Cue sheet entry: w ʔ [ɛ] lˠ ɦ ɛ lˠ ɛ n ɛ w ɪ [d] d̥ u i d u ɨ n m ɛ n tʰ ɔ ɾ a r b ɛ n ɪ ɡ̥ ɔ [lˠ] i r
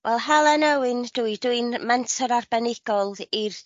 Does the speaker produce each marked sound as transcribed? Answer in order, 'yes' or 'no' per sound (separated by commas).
yes, no, yes